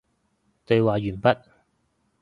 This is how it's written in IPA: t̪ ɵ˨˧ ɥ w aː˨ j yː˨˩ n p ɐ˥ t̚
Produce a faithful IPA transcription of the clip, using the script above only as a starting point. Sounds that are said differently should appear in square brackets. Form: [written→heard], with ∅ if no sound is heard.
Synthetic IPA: t̪ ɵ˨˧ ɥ w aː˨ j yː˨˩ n p ɐ˥ t̚